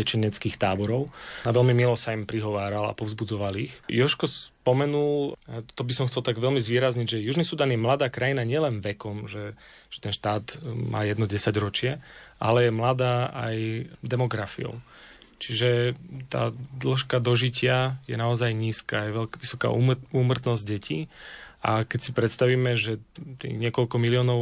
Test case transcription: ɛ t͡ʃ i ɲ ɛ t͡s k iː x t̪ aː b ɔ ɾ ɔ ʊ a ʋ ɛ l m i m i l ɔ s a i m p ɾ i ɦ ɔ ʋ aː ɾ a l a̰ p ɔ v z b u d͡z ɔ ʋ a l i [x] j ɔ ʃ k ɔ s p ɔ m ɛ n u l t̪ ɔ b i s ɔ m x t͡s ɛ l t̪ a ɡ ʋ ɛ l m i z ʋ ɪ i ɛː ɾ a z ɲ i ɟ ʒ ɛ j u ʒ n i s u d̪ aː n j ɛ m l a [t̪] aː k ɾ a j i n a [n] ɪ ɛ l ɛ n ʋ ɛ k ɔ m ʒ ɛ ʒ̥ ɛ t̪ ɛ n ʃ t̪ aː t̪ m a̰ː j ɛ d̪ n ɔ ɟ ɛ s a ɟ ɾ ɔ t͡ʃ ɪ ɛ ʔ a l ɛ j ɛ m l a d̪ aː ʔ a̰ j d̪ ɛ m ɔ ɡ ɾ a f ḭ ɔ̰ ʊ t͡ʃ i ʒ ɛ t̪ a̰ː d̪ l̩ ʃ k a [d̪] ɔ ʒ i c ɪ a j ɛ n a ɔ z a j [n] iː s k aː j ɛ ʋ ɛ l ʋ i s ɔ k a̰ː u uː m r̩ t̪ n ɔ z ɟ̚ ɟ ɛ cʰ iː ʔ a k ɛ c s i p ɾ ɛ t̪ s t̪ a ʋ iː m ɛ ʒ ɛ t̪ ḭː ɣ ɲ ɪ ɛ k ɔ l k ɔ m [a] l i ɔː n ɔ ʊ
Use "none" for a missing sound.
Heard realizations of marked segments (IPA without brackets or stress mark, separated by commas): x, d̪, ɲ, d̪, ɲ, i